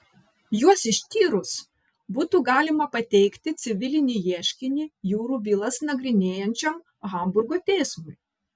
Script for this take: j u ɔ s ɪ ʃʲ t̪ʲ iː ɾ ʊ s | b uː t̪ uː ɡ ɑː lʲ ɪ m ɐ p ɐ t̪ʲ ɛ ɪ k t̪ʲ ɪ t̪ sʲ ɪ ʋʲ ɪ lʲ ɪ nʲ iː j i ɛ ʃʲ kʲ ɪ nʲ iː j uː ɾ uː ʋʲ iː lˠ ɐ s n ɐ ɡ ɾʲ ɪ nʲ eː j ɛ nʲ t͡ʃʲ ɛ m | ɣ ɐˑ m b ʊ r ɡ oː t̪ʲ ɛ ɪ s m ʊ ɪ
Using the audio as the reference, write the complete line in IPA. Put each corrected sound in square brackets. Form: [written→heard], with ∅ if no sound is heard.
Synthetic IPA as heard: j u ɔ s ɪ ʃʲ t̪ʲ iː ɾ ʊ s | b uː t̪ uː ɡ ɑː lʲ ɪ m ɐ p ɐ t̪ʲ ɛ ɪ k t̪ʲ ɪ t̪ sʲ ɪ ʋʲ ɪ lʲ ɪ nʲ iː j i ɛ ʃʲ kʲ ɪ nʲ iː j uː ɾ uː ʋʲ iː lˠ ɐ s n ɐ ɡ ɾʲ ɪ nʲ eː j ɛ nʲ t͡ʃʲ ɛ m | ɣ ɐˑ m b ʊ [r→ɾ] ɡ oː t̪ʲ ɛ ɪ s m ʊ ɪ